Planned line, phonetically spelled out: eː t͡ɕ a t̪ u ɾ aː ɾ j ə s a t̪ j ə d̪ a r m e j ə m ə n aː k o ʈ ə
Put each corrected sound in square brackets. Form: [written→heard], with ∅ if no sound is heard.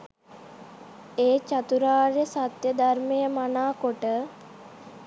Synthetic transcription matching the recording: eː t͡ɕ a t̪ u ɾ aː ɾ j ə s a t̪ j ə d̪ a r m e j ə m [ə→a] n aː k o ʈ ə